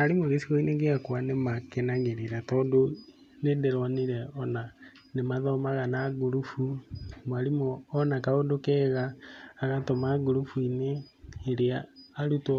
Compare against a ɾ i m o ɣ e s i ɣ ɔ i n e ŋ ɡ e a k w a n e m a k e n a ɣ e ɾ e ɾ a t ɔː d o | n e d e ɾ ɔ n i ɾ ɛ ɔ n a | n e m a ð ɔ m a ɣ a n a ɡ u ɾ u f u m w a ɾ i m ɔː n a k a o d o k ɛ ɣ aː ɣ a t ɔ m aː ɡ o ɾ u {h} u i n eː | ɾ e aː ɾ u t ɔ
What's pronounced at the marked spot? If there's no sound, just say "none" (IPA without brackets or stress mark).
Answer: f